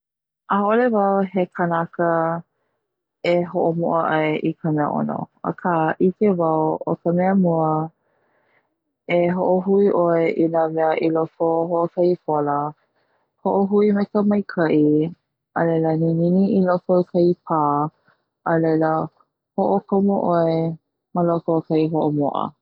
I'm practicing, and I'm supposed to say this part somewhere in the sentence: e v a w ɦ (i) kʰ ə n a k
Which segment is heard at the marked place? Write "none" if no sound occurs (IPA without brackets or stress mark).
e